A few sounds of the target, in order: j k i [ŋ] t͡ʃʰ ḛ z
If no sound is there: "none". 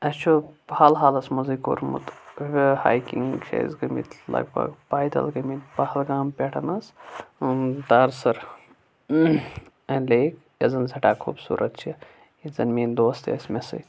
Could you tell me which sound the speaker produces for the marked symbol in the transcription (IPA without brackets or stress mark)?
ŋ